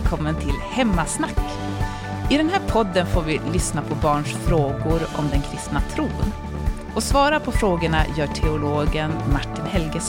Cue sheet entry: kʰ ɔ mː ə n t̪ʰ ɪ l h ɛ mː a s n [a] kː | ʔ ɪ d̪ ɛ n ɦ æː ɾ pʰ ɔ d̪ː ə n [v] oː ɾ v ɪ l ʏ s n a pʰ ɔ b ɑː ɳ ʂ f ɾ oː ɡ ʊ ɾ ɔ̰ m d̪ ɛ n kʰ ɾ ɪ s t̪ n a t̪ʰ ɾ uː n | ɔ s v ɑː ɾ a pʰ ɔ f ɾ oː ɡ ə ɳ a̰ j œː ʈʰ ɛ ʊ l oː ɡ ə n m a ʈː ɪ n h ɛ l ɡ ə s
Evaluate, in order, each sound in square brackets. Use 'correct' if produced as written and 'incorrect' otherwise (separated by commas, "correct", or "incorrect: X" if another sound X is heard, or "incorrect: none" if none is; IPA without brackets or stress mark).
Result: correct, incorrect: f